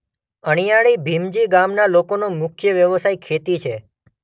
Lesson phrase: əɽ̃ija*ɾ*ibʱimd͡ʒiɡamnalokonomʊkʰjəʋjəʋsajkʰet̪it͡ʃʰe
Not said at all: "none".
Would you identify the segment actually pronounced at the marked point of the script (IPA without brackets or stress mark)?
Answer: ɭ